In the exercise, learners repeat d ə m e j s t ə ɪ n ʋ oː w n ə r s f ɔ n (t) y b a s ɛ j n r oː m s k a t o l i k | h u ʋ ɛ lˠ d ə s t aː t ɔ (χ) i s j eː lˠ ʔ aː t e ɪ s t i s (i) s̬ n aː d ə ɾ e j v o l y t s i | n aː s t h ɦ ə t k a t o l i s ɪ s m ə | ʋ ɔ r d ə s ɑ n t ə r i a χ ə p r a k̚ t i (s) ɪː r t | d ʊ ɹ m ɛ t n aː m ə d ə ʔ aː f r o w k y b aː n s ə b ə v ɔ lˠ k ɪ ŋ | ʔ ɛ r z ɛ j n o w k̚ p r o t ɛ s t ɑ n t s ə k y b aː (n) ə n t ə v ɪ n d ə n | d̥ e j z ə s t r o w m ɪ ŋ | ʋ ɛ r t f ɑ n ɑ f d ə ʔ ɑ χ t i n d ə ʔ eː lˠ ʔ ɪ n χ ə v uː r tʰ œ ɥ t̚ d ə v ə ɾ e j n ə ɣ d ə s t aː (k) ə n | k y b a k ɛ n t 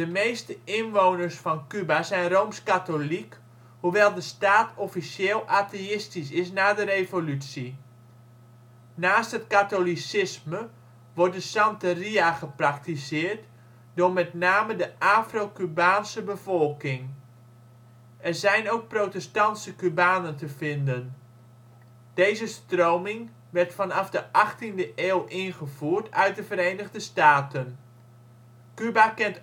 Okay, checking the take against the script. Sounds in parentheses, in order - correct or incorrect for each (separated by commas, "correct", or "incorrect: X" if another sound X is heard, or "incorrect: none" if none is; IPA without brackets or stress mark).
incorrect: k, incorrect: f, incorrect: ɪ, correct, correct, incorrect: t